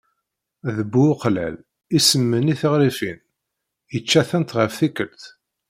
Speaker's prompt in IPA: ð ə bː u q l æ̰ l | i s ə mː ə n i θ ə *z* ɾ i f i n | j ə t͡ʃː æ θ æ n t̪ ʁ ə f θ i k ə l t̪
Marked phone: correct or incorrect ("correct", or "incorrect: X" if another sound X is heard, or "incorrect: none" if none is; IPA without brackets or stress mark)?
incorrect: ʁ